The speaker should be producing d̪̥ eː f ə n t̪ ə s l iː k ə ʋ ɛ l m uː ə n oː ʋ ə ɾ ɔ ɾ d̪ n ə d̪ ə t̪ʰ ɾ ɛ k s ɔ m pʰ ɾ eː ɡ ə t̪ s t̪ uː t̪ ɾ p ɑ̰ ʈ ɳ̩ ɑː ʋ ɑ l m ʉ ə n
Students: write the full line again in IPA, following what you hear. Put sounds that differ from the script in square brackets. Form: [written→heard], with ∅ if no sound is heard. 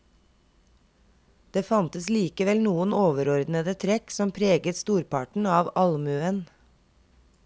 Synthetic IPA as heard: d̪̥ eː f [ə→ɑ] n t̪ ə s l iː k ə ʋ ɛ l [m→n] uː ə n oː ʋ ə ɾ ɔ ɾ d̪ n ə d̪ ə t̪ʰ ɾ ɛ k s ɔ m pʰ ɾ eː ɡ ə t̪ s t̪ uː [t̪→∅] ɾ p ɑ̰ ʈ ɳ̩ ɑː ʋ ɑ l m ʉ ə n